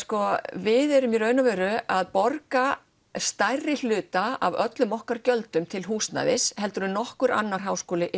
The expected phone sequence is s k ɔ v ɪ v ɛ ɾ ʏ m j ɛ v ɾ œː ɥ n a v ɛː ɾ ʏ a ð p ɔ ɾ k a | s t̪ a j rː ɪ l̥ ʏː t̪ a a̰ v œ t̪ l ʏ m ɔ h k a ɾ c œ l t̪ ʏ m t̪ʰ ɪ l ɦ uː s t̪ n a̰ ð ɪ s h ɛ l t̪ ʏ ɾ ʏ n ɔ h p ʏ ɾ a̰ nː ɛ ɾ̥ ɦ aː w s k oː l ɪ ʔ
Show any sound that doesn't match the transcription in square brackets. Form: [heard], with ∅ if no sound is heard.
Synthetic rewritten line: s k ɔ v ɪ [ð] ɛ ɾ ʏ m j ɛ [∅] ɾ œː ɥ n a v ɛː ɾ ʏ a ð p ɔ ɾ k a | s t̪ a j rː ɪ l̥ ʏː t̪ a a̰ v œ t̪ l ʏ m ɔ h k a ɾ c œ l t̪ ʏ m t̪ʰ ɪ l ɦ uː s t̪ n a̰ ð ɪ s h ɛ l t̪ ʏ ɾ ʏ n ɔ h [k] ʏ ɾ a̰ nː [a] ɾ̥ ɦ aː w s k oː l ɪ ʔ